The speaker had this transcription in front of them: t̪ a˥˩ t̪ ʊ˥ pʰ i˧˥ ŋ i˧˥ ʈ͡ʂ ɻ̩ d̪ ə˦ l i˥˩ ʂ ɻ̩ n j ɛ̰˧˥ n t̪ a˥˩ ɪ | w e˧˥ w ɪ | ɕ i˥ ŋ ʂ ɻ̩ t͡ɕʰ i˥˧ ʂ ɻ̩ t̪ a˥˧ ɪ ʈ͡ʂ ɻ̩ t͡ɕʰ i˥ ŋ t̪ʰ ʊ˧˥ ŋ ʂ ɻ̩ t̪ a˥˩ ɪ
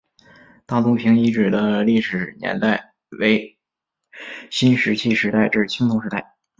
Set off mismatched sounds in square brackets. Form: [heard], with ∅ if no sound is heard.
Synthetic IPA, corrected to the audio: t̪ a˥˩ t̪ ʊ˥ pʰ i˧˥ ŋ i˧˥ ʈ͡ʂ ɻ̩ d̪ ə˦ l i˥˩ ʂ ɻ̩ n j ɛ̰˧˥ n t̪ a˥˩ ɪ | w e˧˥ [∅] ɪ | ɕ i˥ [n] ʂ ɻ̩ t͡ɕʰ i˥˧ ʂ ɻ̩ t̪ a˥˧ ɪ ʈ͡ʂ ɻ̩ t͡ɕʰ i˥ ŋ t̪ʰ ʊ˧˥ ŋ ʂ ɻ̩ t̪ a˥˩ ɪ